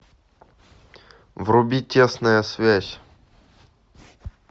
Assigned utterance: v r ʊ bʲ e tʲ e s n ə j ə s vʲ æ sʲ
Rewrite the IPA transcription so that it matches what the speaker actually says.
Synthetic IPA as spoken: v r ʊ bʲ i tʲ e s n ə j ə s vʲ æ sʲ